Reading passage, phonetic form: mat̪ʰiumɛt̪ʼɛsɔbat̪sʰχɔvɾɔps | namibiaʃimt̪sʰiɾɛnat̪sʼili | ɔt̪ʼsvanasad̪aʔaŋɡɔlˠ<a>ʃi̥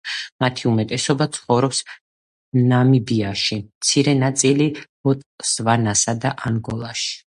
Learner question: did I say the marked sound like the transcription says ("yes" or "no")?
yes